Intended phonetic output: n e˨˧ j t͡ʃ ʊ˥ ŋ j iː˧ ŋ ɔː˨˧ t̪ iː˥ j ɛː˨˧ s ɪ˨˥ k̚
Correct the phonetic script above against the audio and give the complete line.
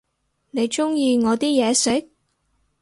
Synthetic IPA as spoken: n e˨˧ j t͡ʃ ʊ˥ ŋ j iː˧ ŋ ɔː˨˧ t̪ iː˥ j ɛː˨˧ s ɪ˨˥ k̚